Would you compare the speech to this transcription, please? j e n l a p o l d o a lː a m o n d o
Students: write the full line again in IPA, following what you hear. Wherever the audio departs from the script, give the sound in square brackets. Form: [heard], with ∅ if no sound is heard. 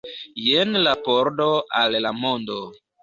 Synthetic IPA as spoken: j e n l a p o [ɾ] d o a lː a m o n d o